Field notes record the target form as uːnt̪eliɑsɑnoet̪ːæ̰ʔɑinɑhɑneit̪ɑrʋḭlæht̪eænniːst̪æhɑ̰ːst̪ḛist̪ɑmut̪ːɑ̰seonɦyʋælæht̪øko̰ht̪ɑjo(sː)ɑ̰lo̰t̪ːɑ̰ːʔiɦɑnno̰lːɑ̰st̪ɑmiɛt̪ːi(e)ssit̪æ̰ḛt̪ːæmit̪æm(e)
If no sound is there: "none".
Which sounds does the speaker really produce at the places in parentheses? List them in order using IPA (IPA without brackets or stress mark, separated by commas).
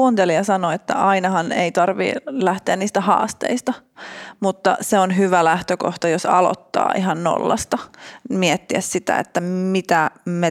s, æ, e